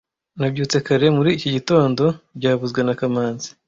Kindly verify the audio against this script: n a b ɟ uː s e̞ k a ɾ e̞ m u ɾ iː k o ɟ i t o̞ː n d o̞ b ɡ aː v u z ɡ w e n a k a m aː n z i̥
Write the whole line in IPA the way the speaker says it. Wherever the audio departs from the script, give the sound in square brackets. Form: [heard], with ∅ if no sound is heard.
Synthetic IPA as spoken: n a b ɟ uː [t͡s] e̞ k a ɾ e̞ m u ɾ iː [c] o ɟ i t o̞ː n d o̞ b [ɟ] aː [β] u z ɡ w e n a k a m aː n z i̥

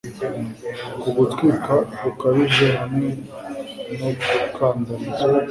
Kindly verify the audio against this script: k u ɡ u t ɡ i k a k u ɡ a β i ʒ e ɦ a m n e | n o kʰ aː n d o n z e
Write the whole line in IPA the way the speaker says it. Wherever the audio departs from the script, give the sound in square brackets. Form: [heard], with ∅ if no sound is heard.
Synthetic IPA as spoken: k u ɡ u t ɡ i k a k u [k] a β i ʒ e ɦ a m [ŋ] e | n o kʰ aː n d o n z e

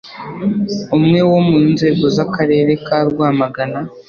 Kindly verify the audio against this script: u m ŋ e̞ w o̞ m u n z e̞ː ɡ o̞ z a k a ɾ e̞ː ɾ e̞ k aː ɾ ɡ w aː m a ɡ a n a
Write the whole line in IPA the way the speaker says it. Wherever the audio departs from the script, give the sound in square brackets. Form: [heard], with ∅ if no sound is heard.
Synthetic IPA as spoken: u m ŋ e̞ w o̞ m u n z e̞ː ɡ o̞ z a k a ɾ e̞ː ɾ e̞ k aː ɾ ɡ w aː m a ɡ a n a

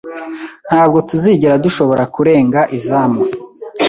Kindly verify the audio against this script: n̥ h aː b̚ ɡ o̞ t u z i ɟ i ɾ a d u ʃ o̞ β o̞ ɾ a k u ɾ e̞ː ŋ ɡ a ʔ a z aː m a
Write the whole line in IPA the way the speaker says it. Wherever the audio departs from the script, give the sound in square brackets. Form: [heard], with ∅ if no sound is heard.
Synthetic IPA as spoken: n̥ h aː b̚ ɡ o̞ t u z i ɟ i ɾ a d u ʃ o̞ β o̞ ɾ a k u ɾ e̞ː ŋ ɡ a ʔ [i] z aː m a

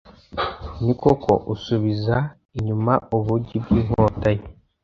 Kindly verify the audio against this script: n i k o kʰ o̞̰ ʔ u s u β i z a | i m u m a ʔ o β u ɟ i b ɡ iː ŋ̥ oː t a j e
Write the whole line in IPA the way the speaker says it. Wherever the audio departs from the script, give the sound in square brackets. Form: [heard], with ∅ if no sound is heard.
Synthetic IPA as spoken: n i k o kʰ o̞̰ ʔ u s u β i z a | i [ɲ] u m a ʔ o β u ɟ i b ɡ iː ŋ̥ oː t a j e

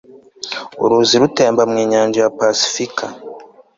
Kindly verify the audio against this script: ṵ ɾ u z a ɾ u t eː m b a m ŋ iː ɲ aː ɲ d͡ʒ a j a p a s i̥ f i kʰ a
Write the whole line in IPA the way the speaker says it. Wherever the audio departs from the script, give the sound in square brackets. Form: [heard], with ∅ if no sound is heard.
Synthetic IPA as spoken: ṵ ɾ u z [i] ɾ u t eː m b a m ŋ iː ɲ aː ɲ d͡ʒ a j a p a s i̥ f i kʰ a

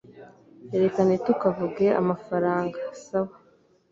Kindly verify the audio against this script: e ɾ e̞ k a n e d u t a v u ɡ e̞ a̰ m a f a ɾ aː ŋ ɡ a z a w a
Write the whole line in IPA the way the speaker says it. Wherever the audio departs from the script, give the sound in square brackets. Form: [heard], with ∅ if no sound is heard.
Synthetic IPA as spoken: e ɾ e̞ k a n e [t] u [k] a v u ɡ e̞ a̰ m a f a ɾ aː ŋ ɡ a [s] a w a

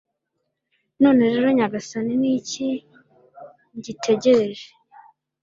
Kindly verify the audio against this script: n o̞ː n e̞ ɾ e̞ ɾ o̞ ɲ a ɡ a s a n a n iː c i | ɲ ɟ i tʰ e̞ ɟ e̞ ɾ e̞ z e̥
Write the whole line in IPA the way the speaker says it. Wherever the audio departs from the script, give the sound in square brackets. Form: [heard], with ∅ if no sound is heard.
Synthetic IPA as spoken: n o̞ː n e̞ ɾ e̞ ɾ o̞ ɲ a ɡ a s a n [i] n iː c i | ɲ ɟ i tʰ e̞ ɟ e̞ ɾ e̞ [ʒ] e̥

